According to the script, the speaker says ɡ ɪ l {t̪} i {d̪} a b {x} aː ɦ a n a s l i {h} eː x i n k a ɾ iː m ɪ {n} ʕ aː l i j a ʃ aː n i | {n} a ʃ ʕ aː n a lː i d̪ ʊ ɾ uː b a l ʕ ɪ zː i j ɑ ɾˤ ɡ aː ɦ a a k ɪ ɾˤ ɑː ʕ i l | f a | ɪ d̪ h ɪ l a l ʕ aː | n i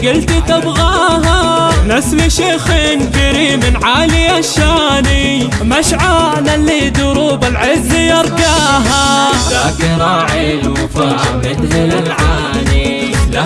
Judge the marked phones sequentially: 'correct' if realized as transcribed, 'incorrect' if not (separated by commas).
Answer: correct, incorrect, incorrect, incorrect, correct, incorrect